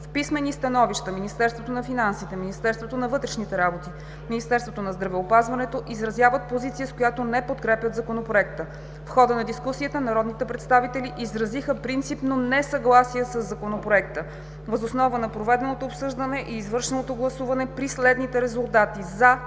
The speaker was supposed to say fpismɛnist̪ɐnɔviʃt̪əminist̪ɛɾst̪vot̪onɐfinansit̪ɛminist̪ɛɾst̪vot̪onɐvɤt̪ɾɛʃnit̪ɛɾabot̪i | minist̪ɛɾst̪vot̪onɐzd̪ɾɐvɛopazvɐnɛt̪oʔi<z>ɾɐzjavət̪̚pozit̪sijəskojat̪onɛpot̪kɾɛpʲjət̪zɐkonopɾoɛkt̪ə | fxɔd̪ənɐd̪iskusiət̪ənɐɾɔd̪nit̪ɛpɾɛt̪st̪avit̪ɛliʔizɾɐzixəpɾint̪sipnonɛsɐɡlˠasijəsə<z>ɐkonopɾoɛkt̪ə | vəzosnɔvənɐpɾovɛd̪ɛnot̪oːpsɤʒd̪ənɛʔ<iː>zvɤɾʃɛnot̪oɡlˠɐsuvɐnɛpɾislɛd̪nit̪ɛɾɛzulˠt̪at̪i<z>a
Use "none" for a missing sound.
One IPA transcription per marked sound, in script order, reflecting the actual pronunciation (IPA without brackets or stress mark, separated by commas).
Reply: z, zː, iː, z